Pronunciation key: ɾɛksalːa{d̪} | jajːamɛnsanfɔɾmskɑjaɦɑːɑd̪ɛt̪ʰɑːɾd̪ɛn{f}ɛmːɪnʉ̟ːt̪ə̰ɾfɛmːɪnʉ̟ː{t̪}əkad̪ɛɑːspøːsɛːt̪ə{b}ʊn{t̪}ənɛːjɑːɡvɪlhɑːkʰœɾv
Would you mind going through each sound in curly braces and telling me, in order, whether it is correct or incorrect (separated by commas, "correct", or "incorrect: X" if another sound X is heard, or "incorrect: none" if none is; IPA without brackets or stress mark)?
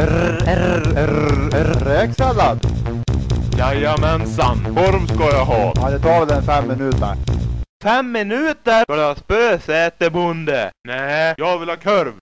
correct, correct, correct, correct, incorrect: d̪